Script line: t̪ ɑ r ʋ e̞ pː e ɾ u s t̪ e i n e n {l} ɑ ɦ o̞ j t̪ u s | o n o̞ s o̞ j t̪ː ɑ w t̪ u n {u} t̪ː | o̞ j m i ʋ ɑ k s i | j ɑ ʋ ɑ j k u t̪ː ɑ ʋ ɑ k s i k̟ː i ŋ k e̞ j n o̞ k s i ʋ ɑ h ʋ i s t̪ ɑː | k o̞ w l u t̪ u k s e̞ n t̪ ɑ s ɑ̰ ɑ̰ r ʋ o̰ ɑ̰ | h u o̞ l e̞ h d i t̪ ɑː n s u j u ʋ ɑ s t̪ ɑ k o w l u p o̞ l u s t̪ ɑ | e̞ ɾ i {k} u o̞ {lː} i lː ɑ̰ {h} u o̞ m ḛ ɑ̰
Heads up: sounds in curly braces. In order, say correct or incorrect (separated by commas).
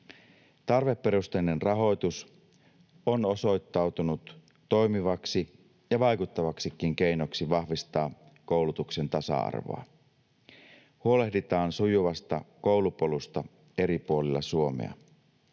incorrect, correct, incorrect, incorrect, incorrect